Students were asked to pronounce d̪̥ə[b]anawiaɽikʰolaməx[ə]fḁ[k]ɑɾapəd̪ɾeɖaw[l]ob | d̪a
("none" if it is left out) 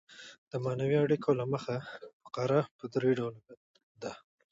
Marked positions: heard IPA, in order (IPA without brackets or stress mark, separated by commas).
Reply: m, a, q, l